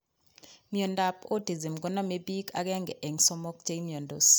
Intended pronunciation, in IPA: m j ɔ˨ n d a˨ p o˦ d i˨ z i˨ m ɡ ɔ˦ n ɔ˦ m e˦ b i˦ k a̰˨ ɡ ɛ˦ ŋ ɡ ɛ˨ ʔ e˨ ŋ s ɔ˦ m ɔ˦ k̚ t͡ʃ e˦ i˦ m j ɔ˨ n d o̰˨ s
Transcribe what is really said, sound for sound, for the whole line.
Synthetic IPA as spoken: m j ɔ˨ n d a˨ p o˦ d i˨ z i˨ m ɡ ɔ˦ n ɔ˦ m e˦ b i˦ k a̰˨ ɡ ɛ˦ ŋ ɡ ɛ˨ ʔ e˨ ŋ s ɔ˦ m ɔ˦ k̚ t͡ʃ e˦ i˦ m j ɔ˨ n d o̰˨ s